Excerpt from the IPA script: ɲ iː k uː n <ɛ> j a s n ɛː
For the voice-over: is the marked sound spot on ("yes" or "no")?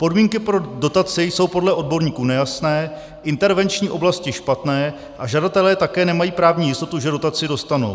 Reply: yes